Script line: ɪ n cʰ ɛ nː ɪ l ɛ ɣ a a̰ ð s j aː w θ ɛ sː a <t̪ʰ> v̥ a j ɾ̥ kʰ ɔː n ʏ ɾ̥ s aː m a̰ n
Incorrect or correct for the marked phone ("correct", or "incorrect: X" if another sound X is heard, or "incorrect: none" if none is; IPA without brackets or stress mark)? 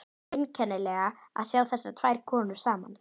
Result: correct